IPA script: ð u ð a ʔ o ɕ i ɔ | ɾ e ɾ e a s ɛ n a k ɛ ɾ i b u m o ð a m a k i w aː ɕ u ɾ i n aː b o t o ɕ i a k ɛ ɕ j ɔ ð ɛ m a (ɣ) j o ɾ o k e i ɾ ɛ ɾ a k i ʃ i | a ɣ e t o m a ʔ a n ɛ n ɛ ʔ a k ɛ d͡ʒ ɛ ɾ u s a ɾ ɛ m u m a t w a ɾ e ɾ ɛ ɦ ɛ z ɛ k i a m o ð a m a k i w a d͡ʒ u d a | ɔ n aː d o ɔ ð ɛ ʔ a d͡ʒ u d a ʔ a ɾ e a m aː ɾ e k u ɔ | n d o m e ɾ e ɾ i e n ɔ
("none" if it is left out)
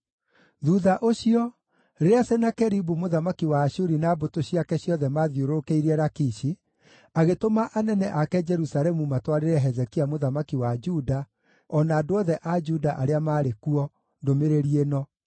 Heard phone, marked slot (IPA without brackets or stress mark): ð